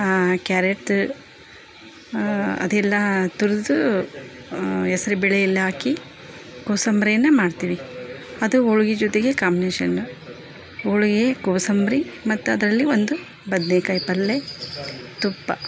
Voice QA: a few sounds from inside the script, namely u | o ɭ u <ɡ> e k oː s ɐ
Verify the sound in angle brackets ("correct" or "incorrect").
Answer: correct